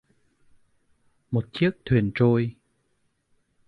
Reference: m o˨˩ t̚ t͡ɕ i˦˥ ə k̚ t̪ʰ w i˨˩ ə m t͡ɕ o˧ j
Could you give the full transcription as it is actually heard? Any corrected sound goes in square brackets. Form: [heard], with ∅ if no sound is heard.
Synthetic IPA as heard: m o˨˩ t̚ t͡ɕ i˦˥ ə k̚ t̪ʰ w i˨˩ ə [n] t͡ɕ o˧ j